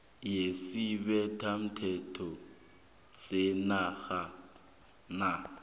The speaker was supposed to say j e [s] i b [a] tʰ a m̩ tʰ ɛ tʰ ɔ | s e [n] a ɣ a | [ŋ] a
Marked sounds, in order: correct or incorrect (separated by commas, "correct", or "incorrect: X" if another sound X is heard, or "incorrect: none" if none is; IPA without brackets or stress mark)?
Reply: correct, incorrect: ɛ, correct, incorrect: n